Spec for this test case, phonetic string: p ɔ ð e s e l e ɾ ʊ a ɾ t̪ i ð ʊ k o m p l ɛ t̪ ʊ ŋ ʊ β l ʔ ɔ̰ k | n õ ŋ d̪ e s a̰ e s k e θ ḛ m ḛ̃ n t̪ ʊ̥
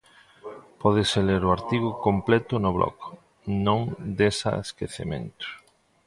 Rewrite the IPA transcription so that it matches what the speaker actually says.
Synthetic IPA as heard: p ɔ ð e s e l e ɾ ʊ a ɾ t̪ i ɣ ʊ k o m p l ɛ t̪ ʊ n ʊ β l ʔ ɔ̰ k | n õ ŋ d̪ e s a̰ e s k e θ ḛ m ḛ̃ n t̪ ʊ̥